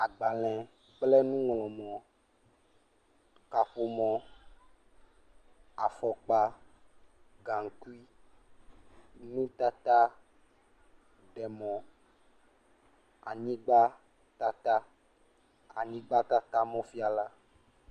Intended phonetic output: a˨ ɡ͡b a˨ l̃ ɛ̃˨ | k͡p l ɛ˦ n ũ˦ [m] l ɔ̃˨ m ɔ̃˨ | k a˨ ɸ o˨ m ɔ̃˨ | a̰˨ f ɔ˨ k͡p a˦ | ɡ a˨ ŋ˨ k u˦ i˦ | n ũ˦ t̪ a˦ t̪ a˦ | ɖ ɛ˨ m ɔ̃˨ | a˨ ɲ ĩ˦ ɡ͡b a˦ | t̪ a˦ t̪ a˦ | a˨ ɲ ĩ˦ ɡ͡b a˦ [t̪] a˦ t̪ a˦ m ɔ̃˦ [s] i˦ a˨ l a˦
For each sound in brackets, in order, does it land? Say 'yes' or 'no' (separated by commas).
no, yes, no